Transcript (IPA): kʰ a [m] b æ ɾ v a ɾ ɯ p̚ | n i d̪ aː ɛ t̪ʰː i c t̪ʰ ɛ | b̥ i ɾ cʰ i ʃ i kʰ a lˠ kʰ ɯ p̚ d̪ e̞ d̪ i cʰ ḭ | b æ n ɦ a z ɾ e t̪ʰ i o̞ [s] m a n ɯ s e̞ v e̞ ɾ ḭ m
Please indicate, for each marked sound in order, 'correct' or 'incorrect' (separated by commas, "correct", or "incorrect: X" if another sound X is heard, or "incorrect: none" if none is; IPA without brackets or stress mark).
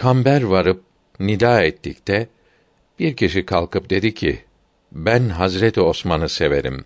correct, correct